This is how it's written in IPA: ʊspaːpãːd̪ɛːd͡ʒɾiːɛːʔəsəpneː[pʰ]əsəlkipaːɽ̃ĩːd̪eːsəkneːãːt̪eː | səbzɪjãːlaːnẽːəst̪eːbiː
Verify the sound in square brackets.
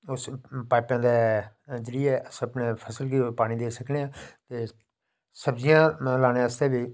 correct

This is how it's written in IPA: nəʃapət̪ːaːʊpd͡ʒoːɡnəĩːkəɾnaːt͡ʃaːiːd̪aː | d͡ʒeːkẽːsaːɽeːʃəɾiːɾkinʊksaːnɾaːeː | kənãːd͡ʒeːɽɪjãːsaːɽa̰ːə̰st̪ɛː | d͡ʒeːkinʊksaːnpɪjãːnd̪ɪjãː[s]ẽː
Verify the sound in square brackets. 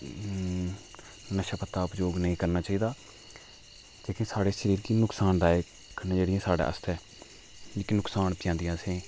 correct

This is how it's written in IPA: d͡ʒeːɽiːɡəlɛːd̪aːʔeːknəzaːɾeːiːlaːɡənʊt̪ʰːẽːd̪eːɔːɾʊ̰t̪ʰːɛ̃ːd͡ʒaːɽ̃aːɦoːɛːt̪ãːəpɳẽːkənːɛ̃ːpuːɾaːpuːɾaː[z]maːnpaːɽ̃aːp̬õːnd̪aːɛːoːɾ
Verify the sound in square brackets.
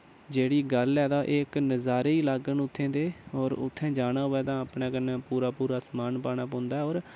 incorrect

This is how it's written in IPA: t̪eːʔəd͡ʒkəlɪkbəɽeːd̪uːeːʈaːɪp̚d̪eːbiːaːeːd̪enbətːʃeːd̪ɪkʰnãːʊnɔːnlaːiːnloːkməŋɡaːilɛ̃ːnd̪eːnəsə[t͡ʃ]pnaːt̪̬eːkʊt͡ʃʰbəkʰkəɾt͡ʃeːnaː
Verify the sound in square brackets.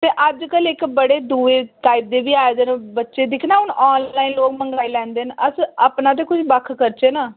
incorrect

